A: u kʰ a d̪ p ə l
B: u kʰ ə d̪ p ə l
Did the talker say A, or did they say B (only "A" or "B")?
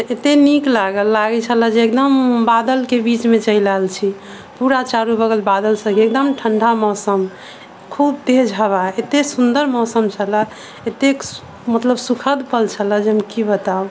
B